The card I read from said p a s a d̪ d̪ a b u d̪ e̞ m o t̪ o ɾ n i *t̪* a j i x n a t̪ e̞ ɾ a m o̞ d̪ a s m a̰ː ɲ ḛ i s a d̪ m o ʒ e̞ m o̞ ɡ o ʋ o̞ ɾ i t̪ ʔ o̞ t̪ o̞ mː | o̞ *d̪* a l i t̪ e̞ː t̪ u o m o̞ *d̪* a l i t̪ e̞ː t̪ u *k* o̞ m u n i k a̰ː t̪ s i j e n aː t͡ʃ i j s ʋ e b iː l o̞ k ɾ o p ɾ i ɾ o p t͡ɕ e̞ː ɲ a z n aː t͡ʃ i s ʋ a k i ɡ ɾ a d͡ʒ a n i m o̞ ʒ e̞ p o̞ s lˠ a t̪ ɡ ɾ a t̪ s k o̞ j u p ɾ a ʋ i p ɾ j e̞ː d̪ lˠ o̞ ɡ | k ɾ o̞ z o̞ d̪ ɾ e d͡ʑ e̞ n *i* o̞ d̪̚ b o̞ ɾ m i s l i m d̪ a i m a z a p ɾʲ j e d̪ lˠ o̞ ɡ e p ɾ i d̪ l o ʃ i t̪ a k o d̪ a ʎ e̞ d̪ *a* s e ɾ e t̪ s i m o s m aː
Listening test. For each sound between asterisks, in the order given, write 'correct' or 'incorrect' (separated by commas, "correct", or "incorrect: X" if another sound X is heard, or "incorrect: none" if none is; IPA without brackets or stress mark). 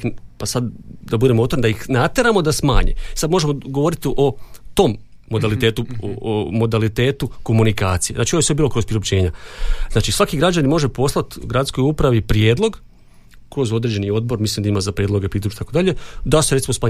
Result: incorrect: d̪, correct, correct, correct, correct, correct